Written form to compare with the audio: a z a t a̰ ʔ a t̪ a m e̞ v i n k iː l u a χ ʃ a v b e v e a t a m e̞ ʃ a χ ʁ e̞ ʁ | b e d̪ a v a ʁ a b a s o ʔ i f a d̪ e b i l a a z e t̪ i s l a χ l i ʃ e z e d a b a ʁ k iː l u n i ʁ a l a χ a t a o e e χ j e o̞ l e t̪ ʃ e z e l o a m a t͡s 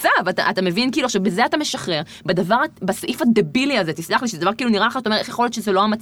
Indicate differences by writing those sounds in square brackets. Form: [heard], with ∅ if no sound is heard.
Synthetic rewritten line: a [v] a t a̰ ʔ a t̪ a m e̞ v i n k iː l u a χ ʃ a v b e [z] e a t a m e̞ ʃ a χ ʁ e̞ ʁ | b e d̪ a v a ʁ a b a s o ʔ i f a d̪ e b i l [i] a z e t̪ i s l a χ l i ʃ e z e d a [v] a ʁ k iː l u n i ʁ a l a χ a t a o e e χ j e o̞ l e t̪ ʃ e z e l o a m a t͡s